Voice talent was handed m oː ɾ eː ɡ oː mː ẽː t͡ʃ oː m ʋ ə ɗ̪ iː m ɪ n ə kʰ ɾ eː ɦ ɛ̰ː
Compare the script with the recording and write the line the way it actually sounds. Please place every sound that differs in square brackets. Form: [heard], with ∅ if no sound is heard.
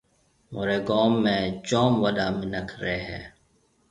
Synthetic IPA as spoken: m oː ɾ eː ɡ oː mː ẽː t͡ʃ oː m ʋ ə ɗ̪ [aː] m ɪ n ə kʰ ɾ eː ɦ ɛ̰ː